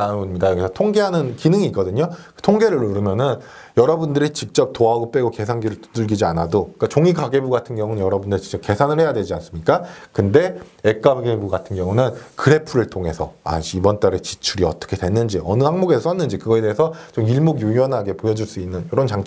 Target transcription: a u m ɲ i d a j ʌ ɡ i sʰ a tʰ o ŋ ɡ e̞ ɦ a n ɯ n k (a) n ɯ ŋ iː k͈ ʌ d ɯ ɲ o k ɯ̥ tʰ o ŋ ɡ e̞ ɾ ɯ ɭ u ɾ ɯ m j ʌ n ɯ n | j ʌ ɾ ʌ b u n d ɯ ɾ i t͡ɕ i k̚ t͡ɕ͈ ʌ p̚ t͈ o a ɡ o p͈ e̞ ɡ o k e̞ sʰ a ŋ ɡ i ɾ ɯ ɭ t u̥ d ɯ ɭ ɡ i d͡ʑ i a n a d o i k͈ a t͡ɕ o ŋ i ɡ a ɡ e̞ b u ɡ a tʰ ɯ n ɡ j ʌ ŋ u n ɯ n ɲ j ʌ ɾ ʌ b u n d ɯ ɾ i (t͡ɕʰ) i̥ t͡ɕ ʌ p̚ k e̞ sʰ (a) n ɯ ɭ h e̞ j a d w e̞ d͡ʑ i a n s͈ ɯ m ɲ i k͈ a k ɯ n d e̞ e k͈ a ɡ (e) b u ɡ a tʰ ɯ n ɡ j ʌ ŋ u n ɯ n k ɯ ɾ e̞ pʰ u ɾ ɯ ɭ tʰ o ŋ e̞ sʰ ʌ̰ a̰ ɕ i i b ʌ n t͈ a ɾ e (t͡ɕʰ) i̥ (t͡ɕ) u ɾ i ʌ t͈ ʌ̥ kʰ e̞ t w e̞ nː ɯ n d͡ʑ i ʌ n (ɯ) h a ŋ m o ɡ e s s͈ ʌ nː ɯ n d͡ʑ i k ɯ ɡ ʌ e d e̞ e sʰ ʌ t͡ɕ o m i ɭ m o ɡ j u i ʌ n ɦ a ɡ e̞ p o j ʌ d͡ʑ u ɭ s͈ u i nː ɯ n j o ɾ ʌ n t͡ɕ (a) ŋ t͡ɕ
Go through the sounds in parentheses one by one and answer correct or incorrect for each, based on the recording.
incorrect, incorrect, correct, correct, incorrect, incorrect, correct, correct

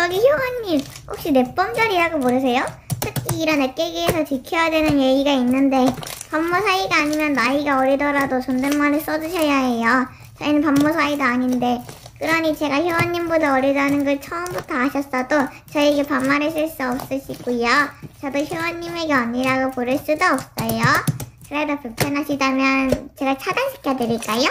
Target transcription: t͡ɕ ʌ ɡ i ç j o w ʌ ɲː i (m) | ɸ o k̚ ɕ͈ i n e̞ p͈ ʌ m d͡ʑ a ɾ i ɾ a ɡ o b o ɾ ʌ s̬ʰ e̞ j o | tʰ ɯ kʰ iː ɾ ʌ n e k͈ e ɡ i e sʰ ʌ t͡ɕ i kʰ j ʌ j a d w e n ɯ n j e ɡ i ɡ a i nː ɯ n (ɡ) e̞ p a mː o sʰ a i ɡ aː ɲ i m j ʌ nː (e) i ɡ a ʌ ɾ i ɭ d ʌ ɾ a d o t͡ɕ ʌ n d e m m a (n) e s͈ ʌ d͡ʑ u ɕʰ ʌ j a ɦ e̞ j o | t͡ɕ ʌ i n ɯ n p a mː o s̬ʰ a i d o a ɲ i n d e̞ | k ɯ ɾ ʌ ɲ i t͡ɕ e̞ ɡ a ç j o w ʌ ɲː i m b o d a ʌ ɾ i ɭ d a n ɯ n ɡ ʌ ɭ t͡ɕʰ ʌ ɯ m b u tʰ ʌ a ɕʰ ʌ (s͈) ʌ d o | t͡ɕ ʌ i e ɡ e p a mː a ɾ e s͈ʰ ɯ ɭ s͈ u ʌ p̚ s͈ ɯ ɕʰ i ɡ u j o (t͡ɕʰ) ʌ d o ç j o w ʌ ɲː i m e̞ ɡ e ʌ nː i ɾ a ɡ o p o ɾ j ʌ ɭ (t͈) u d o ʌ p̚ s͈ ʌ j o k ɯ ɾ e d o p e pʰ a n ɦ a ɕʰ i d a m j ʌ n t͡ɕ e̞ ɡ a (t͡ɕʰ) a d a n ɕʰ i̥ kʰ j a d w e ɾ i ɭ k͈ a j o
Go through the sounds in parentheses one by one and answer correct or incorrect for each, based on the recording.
correct, incorrect, incorrect, correct, correct, incorrect, incorrect, correct

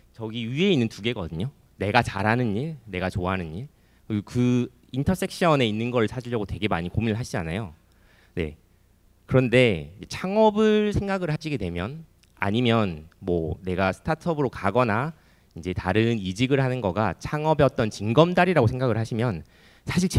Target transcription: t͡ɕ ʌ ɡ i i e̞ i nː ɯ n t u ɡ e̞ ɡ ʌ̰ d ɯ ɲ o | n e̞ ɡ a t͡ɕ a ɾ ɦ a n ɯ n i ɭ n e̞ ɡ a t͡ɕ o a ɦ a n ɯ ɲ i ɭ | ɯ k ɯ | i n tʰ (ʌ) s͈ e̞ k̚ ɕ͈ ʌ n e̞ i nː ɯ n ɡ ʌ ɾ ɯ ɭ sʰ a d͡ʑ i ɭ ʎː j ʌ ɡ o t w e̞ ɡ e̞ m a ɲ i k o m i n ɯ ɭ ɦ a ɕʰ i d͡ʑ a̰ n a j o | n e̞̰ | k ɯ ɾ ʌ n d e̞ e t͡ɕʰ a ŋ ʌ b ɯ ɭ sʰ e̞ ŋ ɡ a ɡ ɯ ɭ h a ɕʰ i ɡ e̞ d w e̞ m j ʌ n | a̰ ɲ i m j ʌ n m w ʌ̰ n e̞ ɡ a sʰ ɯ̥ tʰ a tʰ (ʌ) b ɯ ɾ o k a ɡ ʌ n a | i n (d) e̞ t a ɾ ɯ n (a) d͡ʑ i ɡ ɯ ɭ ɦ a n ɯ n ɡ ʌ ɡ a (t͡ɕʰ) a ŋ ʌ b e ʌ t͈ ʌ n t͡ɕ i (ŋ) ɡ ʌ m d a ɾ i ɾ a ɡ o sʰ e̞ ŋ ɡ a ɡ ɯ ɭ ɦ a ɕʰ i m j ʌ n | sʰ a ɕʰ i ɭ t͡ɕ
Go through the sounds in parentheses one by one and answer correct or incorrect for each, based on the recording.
correct, correct, incorrect, incorrect, correct, correct

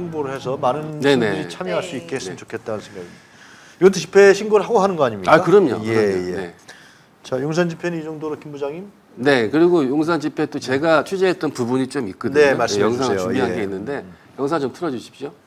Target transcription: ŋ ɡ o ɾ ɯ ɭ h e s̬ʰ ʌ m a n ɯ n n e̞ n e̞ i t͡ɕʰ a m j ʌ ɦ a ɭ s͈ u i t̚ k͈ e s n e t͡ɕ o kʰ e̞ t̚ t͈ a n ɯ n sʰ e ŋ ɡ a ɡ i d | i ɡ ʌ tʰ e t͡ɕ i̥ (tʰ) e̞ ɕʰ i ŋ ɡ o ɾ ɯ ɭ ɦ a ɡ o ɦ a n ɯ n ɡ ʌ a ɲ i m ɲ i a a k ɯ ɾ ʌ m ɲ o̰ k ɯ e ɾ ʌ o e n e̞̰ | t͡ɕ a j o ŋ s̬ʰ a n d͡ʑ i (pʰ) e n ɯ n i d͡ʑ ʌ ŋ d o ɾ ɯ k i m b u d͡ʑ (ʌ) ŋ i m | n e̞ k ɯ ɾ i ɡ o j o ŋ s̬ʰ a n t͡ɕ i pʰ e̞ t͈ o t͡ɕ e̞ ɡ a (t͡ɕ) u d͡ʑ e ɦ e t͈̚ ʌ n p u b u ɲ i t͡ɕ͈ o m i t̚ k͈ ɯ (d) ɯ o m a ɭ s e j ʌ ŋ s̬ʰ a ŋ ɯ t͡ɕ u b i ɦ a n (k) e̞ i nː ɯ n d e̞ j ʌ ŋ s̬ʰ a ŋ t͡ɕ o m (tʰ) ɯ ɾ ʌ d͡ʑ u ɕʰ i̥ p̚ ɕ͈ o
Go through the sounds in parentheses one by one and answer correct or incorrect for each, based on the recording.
incorrect, correct, incorrect, incorrect, correct, incorrect, correct

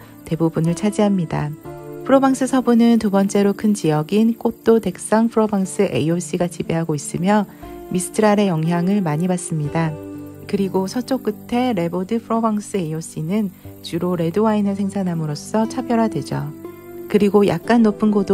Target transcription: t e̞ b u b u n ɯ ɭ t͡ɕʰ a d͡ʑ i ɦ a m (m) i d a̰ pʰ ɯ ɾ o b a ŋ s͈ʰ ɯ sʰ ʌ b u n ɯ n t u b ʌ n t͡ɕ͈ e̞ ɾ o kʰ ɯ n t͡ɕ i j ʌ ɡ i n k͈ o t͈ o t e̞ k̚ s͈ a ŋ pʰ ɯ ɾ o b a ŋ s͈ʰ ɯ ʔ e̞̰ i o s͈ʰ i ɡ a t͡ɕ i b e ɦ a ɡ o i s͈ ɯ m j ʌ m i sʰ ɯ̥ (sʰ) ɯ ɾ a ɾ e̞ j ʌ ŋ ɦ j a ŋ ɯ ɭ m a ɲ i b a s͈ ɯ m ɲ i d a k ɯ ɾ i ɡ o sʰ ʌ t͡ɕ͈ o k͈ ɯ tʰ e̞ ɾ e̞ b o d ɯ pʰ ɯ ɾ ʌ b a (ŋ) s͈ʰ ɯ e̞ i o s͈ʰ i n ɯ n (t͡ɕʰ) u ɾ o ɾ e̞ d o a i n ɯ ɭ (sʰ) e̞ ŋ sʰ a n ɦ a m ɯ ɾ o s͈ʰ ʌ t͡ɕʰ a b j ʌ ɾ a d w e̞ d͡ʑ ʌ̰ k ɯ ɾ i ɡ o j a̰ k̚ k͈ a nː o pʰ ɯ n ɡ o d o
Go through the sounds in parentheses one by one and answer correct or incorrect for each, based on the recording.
incorrect, incorrect, correct, incorrect, correct

